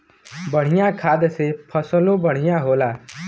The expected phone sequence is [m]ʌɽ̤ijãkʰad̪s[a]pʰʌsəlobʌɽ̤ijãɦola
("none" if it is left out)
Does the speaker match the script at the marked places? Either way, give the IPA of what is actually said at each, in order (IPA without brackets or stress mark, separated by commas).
b, e